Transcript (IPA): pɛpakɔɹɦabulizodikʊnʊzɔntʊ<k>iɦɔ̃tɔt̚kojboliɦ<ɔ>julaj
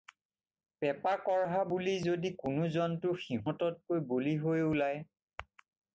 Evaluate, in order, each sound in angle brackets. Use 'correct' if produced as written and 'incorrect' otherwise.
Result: incorrect: x, incorrect: o

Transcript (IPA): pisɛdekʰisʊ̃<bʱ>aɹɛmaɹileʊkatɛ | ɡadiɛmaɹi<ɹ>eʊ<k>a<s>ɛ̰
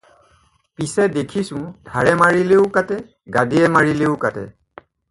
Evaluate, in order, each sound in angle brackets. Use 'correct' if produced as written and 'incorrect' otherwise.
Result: incorrect: dʱ, incorrect: l, correct, incorrect: t

